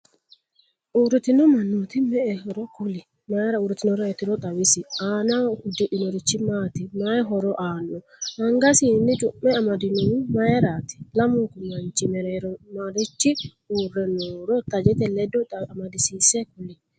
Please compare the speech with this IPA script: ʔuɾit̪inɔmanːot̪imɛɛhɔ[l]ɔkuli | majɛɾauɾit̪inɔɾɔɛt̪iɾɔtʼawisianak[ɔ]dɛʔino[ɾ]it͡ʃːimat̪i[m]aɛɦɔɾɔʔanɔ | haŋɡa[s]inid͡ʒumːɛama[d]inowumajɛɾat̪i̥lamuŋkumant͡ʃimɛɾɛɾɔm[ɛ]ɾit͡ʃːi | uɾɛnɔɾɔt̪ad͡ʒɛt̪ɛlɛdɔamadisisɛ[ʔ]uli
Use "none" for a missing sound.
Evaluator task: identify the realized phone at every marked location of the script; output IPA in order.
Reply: ɾ, u, ɾ, m, s, d, a, k

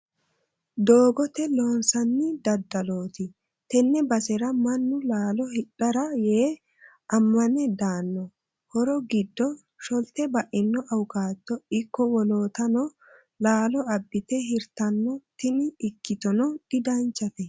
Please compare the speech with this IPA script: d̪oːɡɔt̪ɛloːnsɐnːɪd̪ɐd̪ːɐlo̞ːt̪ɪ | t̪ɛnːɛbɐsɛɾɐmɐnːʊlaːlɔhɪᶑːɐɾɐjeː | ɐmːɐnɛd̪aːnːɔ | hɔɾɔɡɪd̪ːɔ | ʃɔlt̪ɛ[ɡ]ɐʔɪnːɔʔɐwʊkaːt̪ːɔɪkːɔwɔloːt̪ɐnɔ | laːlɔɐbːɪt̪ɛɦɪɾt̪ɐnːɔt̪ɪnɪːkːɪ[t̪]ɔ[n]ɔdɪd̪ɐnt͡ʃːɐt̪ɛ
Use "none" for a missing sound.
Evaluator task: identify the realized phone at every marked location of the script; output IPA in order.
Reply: b, t̪, n

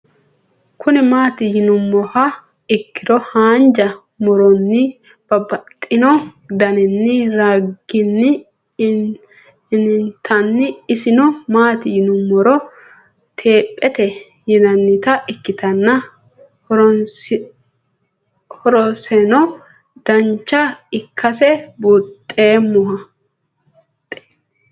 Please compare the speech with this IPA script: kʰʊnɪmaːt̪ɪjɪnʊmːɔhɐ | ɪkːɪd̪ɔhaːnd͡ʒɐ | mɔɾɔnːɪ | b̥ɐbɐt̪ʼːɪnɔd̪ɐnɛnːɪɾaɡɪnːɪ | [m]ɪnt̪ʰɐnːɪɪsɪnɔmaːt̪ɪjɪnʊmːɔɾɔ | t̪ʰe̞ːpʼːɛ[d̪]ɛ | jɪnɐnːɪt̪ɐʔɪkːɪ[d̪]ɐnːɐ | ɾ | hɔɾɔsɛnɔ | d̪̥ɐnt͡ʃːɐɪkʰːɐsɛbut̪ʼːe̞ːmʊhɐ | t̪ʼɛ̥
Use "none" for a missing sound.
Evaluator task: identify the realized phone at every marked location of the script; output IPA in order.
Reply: n, t̪, t̪

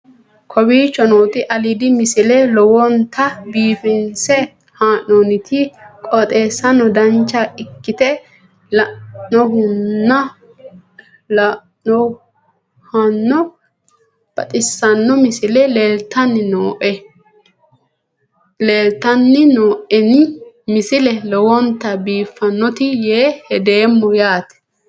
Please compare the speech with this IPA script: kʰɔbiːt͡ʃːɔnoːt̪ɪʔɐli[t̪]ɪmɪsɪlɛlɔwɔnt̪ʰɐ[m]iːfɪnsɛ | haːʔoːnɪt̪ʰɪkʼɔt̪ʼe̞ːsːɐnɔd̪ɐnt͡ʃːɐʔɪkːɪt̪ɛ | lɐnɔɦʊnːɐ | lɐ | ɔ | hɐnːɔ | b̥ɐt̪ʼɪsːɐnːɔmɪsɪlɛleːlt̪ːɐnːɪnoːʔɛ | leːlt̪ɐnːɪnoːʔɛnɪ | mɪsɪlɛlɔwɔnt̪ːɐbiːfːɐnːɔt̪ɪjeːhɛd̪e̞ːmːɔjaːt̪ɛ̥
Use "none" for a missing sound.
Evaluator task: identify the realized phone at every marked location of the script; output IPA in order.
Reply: d̪, b

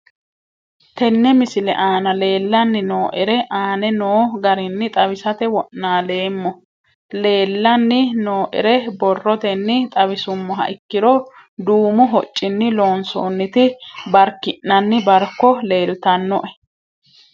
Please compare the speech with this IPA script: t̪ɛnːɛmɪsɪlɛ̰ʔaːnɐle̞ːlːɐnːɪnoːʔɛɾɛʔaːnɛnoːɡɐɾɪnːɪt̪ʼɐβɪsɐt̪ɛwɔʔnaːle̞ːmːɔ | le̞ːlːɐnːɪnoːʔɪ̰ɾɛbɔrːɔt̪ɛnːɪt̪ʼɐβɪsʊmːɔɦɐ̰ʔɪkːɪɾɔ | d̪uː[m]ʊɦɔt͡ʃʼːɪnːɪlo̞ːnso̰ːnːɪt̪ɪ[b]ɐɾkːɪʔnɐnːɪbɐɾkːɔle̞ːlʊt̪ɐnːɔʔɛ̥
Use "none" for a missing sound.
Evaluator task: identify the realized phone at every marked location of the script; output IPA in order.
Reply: m, b

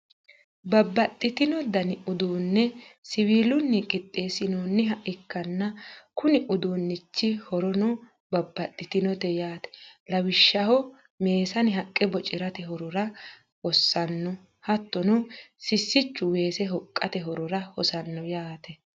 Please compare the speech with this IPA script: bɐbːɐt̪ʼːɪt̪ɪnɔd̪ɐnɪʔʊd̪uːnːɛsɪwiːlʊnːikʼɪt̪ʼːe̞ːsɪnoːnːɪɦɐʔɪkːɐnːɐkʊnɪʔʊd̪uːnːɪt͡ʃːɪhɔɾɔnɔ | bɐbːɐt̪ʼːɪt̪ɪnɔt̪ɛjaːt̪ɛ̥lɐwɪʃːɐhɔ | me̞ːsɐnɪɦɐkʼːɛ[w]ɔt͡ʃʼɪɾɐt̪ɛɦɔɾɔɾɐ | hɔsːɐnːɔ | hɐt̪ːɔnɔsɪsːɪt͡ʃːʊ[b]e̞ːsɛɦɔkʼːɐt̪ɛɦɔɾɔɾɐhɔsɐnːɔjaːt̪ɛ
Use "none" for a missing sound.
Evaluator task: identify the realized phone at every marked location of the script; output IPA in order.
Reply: b, w

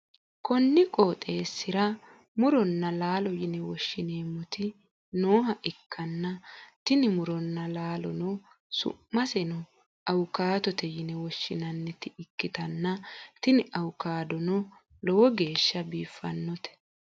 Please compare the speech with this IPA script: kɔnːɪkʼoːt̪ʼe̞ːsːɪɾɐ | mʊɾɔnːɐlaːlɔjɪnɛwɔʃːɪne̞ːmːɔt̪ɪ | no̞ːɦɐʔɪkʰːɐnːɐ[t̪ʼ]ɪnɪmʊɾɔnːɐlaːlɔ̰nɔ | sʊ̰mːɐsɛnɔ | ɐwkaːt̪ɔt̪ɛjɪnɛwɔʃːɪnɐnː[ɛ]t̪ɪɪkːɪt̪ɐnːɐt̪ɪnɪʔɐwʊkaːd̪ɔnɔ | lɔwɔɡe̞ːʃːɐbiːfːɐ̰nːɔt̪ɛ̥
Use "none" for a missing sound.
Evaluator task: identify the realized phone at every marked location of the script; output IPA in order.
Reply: t̪, ɛ

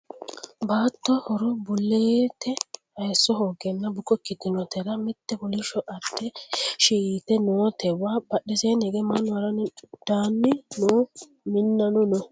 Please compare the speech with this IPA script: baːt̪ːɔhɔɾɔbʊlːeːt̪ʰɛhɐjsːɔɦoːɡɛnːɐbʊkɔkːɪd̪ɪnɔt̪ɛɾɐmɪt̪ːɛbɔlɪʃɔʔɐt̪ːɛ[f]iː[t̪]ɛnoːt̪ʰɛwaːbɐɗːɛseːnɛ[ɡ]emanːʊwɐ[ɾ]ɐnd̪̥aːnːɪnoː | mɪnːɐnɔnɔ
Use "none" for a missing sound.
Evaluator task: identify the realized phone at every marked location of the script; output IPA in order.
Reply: ʃ, t̪, ɡ, ɾ

